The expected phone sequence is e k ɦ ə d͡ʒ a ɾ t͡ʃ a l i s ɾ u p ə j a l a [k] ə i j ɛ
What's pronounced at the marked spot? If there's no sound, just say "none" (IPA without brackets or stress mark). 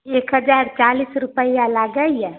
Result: ɡ